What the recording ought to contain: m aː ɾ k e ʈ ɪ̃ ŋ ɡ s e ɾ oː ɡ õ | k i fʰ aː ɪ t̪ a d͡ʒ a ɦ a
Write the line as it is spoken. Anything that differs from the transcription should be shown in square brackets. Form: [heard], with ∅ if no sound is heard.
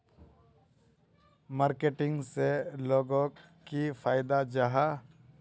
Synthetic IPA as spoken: m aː ɾ k e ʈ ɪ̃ ŋ ɡ s e [l] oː ɡ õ | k i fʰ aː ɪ [d̪] a d͡ʒ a ɦ a